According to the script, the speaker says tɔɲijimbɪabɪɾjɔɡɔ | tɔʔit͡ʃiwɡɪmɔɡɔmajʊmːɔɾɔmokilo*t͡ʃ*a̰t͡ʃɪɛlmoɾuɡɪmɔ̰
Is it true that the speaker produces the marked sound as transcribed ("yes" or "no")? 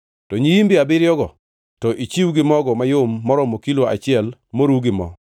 no